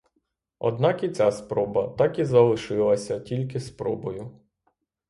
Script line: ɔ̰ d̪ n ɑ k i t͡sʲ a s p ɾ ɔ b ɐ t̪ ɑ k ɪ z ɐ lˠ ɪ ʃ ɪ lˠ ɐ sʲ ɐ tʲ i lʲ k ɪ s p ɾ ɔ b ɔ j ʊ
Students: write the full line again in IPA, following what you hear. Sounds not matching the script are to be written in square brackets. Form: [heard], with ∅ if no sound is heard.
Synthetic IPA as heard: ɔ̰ d̪ n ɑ k i t͡sʲ a s p ɾ ɔ b ɐ t̪ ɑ k [i] z ɐ lˠ ɪ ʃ ɪ lˠ ɐ sʲ ɐ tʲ i lʲ k ɪ s p ɾ ɔ b ɔ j ʊ